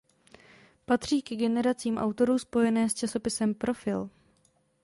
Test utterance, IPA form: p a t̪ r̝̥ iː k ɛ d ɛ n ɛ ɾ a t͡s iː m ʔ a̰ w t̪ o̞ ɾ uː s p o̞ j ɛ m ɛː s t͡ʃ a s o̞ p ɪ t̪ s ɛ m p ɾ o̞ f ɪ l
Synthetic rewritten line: p a t̪ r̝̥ iː k ɛ ɡ ɛ n ɛ ɾ a t͡s iː m ʔ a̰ w t̪ o̞ ɾ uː s p o̞ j ɛ n ɛː s t͡ʃ a s o̞ p ɪ s ɛ m p ɾ o̞ f ɪ l